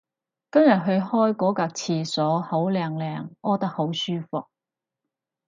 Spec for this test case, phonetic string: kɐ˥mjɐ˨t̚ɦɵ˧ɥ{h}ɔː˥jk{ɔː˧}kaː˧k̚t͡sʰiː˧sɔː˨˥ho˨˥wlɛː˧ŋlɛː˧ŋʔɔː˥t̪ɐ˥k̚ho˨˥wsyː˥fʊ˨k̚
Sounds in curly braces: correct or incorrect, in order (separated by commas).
correct, incorrect